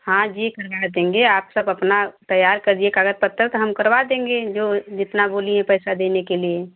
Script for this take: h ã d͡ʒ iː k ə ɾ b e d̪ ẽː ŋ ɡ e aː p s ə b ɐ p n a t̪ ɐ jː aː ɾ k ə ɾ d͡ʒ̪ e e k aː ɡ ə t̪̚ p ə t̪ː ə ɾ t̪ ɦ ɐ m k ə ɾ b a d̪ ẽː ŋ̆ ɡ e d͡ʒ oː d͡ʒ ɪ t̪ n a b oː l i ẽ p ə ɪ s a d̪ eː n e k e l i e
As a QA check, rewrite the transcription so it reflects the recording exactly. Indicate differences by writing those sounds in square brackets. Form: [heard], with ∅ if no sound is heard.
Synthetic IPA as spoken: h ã d͡ʒ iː k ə ɾ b [a] d̪ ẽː ŋ ɡ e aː p s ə b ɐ p n a t̪ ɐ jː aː ɾ k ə ɾ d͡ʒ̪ [i] e k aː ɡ ə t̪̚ p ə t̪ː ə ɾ t̪ ɦ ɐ m k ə ɾ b a d̪ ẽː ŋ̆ ɡ e d͡ʒ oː d͡ʒ ɪ t̪ n a b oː l i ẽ p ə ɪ s a d̪ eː n e k e l i e